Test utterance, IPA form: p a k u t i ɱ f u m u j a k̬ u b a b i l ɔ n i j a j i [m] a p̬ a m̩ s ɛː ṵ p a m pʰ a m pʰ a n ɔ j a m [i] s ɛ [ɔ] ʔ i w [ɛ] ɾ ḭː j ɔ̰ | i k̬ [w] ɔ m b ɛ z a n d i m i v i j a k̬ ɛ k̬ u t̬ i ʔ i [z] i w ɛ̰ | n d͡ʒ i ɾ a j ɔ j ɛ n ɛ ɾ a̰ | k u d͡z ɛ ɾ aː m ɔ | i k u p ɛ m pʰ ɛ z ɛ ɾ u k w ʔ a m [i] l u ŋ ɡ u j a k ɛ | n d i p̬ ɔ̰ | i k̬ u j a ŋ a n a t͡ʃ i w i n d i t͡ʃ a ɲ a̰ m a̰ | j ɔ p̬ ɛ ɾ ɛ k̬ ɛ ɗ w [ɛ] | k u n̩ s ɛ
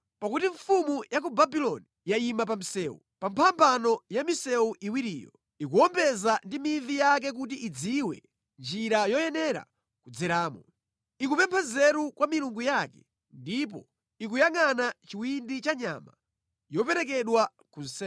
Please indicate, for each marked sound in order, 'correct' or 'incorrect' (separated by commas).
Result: correct, correct, incorrect, incorrect, incorrect, incorrect, correct, incorrect